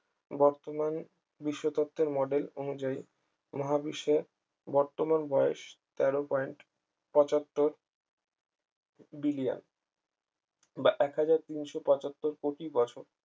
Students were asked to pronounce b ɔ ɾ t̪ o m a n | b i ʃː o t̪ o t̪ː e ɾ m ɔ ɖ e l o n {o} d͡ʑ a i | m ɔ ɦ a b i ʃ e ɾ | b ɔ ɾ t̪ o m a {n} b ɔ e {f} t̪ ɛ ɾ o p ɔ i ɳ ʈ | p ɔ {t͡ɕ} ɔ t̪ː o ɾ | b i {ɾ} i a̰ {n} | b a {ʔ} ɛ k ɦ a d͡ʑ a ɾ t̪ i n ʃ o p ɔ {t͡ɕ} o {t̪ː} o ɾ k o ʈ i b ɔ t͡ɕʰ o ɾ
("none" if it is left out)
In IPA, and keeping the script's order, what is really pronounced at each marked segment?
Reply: u, n, ʃ, t͡ɕ, l, n, ʔ, t͡ɕ, t̪ː

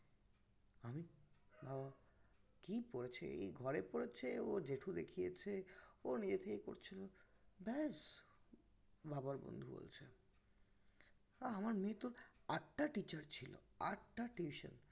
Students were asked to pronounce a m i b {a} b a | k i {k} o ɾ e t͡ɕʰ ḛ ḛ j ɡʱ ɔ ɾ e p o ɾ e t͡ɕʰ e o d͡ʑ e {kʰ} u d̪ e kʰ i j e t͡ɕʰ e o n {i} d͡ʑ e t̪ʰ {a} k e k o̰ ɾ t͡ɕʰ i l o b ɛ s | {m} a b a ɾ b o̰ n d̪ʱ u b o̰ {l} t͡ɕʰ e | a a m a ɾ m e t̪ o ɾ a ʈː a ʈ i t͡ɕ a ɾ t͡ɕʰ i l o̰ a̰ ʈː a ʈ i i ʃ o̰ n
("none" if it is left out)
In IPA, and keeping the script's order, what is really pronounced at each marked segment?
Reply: a, p, ʈʰ, i, e, b, l

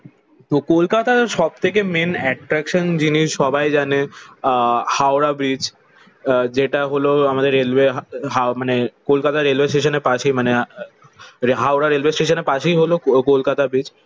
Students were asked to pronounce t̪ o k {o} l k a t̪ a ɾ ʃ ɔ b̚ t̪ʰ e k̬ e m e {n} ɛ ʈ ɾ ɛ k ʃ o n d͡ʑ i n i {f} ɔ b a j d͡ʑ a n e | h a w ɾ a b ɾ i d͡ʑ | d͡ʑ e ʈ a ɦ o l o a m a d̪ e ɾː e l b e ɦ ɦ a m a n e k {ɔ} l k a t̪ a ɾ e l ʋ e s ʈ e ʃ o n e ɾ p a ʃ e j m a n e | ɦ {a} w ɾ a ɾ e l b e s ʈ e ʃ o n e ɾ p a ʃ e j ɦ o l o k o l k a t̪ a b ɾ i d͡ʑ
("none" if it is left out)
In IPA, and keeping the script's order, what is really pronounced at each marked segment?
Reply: o, n, ʃ, o, a

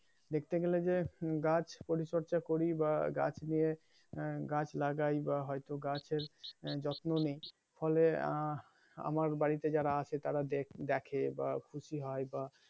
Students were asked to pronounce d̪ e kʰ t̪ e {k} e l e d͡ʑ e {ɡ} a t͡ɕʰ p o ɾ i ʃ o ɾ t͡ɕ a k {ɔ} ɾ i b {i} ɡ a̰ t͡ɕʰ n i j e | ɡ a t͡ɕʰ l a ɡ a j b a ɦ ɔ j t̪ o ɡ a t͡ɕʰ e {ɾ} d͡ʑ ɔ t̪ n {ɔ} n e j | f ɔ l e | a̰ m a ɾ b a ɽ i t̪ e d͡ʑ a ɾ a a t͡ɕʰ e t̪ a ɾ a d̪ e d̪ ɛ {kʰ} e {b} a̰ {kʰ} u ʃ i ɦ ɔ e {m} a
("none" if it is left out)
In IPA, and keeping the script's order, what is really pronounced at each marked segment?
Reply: ɡ, ɡ, o, a, ɾ, o, kʰ, b, kʰ, b

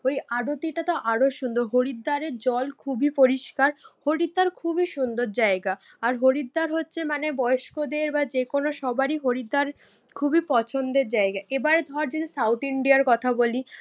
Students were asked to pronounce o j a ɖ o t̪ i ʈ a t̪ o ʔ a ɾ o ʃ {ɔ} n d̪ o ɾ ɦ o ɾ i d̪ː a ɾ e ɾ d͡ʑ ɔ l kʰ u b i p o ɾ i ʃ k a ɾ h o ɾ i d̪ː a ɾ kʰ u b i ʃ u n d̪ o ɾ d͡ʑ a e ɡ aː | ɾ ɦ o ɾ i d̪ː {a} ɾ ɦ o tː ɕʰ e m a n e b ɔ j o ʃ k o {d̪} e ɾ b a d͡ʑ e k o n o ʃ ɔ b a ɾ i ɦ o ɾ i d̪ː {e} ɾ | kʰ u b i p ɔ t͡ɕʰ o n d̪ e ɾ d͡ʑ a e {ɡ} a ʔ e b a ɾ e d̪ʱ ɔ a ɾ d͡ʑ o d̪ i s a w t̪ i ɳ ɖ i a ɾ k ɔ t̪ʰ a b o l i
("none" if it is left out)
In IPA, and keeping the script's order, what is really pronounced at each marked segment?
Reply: u, a, d̪, a, ɡ

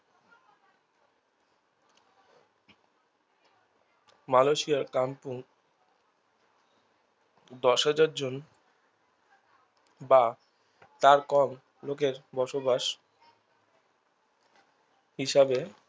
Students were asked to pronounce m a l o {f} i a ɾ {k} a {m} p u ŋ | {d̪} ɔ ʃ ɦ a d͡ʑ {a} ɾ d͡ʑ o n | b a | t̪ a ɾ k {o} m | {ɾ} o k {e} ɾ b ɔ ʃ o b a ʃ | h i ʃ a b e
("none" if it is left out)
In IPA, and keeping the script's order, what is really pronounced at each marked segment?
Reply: ʃ, k, m, d̪, a, ɔ, l, e

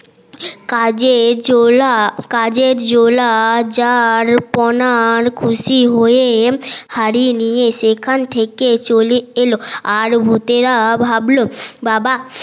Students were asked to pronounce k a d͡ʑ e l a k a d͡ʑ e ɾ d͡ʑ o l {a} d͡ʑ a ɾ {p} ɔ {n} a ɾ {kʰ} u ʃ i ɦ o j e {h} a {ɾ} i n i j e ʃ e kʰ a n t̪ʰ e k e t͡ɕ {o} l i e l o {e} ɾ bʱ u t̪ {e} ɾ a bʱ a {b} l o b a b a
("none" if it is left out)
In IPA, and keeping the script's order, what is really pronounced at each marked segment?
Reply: a, p, n, kʰ, h, ɾ, o, a, e, b

